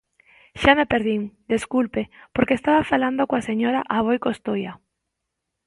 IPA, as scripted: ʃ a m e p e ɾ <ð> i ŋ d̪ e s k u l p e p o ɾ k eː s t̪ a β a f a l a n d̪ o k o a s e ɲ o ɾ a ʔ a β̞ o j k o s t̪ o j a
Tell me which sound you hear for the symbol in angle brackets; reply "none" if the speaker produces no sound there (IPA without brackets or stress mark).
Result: ð